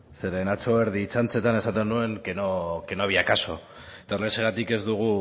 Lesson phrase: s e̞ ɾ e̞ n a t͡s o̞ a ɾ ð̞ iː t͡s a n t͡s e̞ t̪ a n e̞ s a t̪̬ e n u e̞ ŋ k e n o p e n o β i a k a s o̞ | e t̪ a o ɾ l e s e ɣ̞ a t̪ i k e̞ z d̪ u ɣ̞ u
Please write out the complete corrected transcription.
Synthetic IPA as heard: s e̞ ɾ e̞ n a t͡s o̞ e ɾ ð̞ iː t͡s a n t͡s e̞ t̪ a n e̞ s a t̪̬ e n u e̞ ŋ k e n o k e n o β i a k a s o̞ | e t̪ a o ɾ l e s e ɣ̞ a t̪ i k e̞ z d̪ u ɣ̞ u

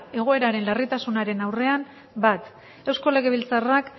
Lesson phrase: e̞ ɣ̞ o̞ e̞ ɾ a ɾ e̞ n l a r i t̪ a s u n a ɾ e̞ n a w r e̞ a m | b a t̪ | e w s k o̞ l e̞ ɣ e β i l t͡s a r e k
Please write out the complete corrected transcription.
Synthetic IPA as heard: e̞ ɣ̞ o̞ e̞ ɾ a ɾ e̞ n l a r i t̪ a s u n a ɾ e̞ n a w r e̞ a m | b a t̪ | e w s k o̞ l e̞ ɣ e β i l t͡s a r a k

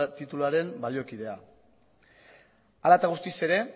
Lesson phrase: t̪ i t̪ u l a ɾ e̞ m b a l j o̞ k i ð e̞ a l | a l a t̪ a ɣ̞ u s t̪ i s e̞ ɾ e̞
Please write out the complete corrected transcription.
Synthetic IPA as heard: t̪ i t̪ u l a ɾ e̞ m b a l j o̞ k i ð e̞ a | a l a t̪ a ɣ̞ u s t̪ i s e̞ ɾ e̞

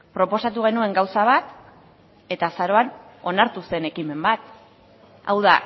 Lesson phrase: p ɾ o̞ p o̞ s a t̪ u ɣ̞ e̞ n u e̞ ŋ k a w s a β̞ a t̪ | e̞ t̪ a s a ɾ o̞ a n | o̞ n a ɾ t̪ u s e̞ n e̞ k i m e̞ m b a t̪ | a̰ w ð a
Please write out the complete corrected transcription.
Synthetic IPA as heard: p ɾ o̞ p o̞ s a t̪ u ɣ̞ e̞ n u e̞ ŋ ɡ a w s a β̞ a t̪ | e̞ t̪ a s a ɾ o̞ a n | o̞ n a ɾ t̪ u s e̞ n e̞ k i m e̞ m b a t̪ | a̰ w ð a

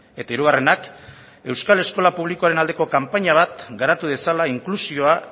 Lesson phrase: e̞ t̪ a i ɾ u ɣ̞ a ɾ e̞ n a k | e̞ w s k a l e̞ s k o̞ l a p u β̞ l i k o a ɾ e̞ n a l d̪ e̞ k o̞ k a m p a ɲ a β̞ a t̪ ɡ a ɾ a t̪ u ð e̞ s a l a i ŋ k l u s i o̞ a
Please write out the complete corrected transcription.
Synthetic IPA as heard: e̞ t̪ a i ɾ u ɣ̞ a r e̞ n a k | e̞ w s k a l e̞ s k o̞ l a p u β̞ l i k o a ɾ e̞ n a l d̪ e̞ k o̞ k a m p a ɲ a β̞ a t̪ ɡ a ɾ a t̪ u ð e̞ s a l a i ŋ k l u s i o̞ a

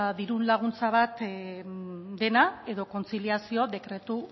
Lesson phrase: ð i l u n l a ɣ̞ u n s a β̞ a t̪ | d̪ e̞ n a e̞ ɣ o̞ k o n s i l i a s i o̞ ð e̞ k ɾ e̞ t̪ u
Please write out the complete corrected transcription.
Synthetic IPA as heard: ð i ɾ u n l a ɣ̞ u n t͡s a β̞ a t̪ | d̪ e̞ n a e̞ ð o̞ k o n t͡s i l i a s i o̞ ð e̞ k ɾ e̞ t̪ u

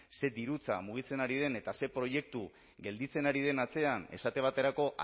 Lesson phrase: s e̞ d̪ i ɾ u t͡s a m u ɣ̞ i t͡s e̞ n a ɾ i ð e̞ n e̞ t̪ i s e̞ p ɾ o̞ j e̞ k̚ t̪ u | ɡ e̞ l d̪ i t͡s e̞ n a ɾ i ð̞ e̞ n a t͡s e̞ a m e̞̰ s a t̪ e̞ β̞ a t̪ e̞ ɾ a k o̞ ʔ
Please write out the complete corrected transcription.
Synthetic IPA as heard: s e̞ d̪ i ɾ u t͡s a m u ɣ̞ i t͡s e̞ n a ɾ i ð e̞ n e̞ t̪ a s e̞ p ɾ o̞ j e̞ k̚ t̪ u | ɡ e̞ l d̪ i t͡s e̞ n a ɾ i ð̞ e̞ n a t͡s e̞ a n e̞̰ s a t̪ e̞ β̞ a t̪ e̞ ɾ a k o̞ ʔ

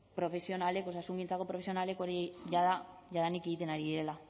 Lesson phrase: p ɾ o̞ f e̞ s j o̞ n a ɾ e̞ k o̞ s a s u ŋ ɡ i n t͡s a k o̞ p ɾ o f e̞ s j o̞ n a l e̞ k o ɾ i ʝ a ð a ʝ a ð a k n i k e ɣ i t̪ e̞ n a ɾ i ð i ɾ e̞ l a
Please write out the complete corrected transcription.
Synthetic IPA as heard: p ɾ o̞ f e̞ s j o̞ n a l e̞ k o̞ s a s u ŋ ɡ i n t͡s a k o̞ p ɾ o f e̞ s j o̞ n a l e̞ k o ɾ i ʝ a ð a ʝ a ð a n i k e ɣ i t̪ e̞ n a ɾ i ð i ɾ e̞ l a

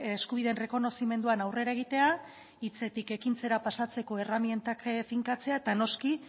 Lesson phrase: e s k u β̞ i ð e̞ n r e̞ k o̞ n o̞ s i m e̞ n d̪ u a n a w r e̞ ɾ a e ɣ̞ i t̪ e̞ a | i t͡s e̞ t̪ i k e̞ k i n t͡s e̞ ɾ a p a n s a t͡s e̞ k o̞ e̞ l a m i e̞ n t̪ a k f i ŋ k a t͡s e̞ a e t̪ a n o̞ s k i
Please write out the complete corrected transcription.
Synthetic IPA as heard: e s k u β̞ i ð e̞ n r e̞ k o̞ n o̞ s i m e̞ n d̪ u a n a w r e̞ ɾ a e ɣ̞ i t̪ e̞ a | i t͡s e̞ t̪ i k e̞ k i n t͡s e̞ ɾ a p a s a t͡s e̞ k o̞ e̞ r a m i e̞ n t̪ a k f i ŋ k a t͡s e̞ a e t̪ a n o̞ s k i

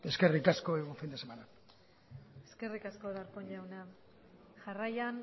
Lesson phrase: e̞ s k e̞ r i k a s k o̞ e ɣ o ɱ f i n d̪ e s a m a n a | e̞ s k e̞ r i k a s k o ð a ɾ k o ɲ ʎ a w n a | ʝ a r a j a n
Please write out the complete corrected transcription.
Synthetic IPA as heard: e̞ s k e̞ r i k a s k o̞ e ɣ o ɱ f i n d̪ e s e m a n a | e̞ s k e̞ r i k a s k o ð a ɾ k o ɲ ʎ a w n a | ʝ a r a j a n

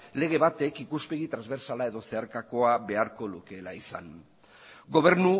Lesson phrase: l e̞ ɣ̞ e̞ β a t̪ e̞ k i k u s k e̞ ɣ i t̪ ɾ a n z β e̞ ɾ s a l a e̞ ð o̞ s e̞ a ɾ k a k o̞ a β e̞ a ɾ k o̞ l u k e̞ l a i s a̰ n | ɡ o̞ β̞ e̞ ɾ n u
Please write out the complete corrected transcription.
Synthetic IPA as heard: l e̞ ɣ̞ e̞ β a t̪ e̞ k i k u s p e̞ ɣ i t̪ ɾ a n z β e̞ ɾ s a l a e̞ ð o̞ s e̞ a ɾ k a k o̞ a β e̞ a ɾ k o̞ l u k e̞ l a i s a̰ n | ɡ o̞ β̞ e̞ ɾ n u

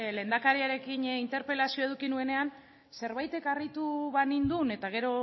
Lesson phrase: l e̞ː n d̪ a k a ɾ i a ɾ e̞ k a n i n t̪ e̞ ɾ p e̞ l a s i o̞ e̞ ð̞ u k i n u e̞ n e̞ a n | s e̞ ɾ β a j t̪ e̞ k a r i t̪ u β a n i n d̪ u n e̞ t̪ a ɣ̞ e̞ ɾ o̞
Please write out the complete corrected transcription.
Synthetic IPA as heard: l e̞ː n d̪ a k a ɾ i a ɾ e̞ k i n i n t̪ e̞ ɾ p e̞ l a s i o̞ e̞ ð̞ u k i n u e̞ n e̞ a n | s e̞ ɾ β a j t̪ e̞ k a r i t̪ u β a n i n d̪ u n e̞ t̪ a ɣ̞ e̞ ɾ o̞

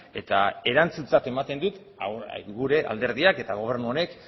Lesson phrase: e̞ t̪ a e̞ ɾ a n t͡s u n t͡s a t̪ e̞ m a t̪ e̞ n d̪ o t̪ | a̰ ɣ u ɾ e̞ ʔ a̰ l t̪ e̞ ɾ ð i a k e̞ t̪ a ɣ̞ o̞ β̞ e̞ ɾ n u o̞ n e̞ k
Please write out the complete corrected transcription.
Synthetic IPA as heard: e̞ t̪ a e̞ ɾ a n t͡s u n t͡s a t̪ e̞ m a t̪ e̞ n d̪ u t̪ | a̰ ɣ u ɾ e̞ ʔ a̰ l d̪ e̞ ɾ ð i a k e̞ t̪ a ɣ̞ o̞ β̞ e̞ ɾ n u o̞ n e̞ k

